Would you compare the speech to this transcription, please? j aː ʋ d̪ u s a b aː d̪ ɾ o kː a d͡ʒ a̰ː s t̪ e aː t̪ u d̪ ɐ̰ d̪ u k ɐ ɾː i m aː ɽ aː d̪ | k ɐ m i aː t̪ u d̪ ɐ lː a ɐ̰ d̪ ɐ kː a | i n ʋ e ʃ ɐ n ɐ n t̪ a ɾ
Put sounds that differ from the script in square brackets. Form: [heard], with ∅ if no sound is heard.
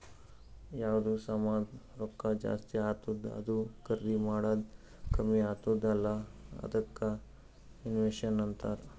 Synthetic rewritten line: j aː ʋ d̪ u s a [m] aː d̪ ɾ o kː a d͡ʒ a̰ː s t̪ [i] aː t̪ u d̪ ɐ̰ d̪ u k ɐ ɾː i m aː ɽ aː d̪ | k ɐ m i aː t̪ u d̪ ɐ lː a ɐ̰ d̪ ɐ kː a | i n ʋ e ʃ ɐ n ɐ n t̪ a ɾ